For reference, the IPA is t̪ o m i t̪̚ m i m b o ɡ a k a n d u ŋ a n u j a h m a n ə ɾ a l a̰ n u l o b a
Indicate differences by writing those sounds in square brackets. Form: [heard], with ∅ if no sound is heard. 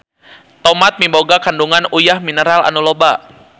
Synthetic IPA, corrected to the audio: t̪ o m [a] t̪̚ m i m b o ɡ a k a n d u ŋ a n u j a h m [i] n ə ɾ a l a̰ n u l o b a